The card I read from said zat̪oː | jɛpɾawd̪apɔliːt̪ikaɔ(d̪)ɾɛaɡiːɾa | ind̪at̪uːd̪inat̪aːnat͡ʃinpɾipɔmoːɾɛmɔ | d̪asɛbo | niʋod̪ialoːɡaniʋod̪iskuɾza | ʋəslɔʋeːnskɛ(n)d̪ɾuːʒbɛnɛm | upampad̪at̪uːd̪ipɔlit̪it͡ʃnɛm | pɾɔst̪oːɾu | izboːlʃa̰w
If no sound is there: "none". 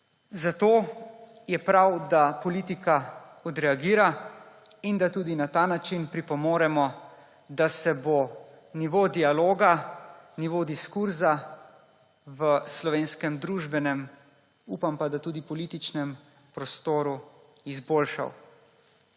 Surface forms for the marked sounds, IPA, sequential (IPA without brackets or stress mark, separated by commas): d̪, m